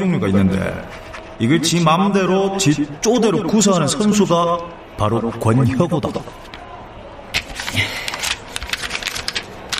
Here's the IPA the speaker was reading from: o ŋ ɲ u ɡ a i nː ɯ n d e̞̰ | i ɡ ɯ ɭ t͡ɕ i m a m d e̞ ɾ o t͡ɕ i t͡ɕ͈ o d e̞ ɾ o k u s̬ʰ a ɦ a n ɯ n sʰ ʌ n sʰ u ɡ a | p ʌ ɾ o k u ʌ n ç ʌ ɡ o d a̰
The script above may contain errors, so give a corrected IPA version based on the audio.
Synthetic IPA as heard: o ŋ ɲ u ɡ a i nː ɯ n d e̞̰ | i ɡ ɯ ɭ t͡ɕ i m a m d e̞ ɾ o t͡ɕ i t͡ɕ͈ o d e̞ ɾ o k u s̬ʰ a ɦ a n ɯ n sʰ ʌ n sʰ u ɡ a | p a ɾ o k w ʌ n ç ʌ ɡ o d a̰